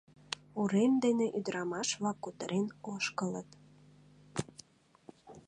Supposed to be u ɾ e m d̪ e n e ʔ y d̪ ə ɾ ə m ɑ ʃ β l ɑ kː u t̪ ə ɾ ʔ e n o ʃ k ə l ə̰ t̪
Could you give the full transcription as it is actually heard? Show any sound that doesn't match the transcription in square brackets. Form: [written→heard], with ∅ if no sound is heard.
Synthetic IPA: u ɾ e m d̪ e n e ʔ y d̪ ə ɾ [ə→ɑ] m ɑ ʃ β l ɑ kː u t̪ ə ɾ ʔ e n o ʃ k ə l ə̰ t̪